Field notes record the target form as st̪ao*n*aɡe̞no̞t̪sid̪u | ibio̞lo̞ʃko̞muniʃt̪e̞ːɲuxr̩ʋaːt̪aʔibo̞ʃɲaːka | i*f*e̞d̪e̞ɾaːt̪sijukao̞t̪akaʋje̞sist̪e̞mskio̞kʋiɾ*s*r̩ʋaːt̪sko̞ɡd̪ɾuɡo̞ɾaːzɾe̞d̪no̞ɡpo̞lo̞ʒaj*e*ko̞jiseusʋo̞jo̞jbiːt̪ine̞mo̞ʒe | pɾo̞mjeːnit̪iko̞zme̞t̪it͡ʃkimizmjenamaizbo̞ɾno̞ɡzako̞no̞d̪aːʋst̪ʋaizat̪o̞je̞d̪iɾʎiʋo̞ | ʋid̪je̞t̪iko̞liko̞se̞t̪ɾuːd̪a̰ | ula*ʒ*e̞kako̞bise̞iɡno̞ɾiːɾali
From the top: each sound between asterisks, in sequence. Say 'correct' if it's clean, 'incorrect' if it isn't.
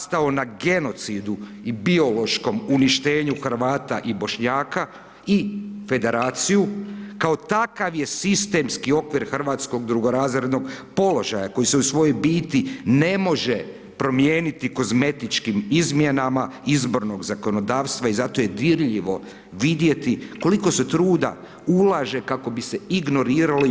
correct, correct, incorrect, incorrect, correct

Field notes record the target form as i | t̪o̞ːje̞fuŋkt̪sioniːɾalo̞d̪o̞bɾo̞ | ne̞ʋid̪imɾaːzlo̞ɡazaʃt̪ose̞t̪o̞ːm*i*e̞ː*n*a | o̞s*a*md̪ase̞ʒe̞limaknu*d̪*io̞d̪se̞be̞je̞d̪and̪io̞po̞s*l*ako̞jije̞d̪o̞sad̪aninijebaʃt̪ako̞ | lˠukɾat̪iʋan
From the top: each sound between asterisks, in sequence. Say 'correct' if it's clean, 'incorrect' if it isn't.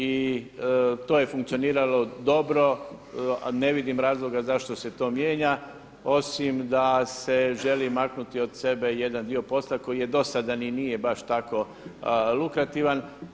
incorrect, incorrect, incorrect, incorrect, correct

